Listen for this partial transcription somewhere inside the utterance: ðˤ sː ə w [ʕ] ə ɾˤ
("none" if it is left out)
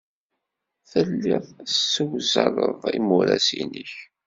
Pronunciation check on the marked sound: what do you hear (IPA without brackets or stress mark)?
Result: z